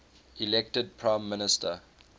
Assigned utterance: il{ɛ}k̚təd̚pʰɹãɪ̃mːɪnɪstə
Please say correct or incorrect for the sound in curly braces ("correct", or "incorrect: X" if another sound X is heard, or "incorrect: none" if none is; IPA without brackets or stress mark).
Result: correct